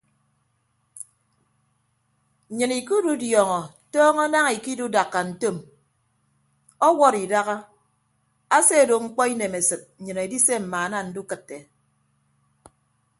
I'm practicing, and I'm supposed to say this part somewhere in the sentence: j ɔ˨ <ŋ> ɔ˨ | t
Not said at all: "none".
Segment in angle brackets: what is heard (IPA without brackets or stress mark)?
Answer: ŋ